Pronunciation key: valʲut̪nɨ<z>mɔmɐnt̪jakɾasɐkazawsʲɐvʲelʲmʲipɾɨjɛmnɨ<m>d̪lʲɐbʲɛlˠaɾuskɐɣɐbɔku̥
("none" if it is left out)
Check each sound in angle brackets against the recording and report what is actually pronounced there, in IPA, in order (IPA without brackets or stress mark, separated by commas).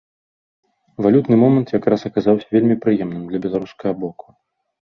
none, m